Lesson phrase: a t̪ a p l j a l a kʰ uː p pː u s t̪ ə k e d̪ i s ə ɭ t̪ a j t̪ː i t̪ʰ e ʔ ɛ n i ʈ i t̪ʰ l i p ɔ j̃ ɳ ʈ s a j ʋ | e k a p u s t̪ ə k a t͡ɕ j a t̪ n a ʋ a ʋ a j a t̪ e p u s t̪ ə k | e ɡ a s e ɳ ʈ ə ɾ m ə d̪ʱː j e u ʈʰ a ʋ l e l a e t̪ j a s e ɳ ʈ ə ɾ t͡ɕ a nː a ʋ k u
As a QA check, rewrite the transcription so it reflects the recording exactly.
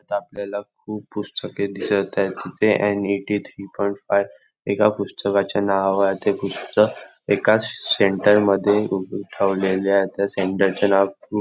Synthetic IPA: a t̪ a p l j a l a kʰ uː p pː u s t̪ ə k e d̪ i s ə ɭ t̪ a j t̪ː i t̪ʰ e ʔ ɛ n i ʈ i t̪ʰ ɾ i p ɔ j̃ ɳ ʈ f a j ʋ | e k a p u s t̪ ə k a t͡ɕ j a n a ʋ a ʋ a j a t̪ e p u s t̪ ə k | e k a s e ɳ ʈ ə ɾ m ə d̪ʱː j e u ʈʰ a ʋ l e l a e t̪ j a s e ɳ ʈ ə ɾ t͡ɕ a n a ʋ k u